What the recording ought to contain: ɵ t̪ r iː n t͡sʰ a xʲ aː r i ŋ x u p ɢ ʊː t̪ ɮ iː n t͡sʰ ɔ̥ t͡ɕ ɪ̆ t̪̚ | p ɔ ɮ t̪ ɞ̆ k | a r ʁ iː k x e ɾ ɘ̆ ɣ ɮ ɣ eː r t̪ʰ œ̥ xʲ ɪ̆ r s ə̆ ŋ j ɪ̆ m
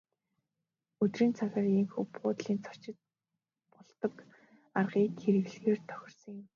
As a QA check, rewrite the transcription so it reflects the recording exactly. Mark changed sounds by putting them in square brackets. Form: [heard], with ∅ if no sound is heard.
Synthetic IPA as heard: ɵ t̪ r iː n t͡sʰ a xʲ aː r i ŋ x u p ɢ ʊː t̪ ɮ iː n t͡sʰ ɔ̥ t͡ɕ ɪ̆ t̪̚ | p ɔ ɮ t̪ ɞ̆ k | a r ʁ iː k x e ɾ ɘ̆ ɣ ɮ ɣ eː r t̪ʰ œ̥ xʲ ɪ̆ r s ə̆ ŋ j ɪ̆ m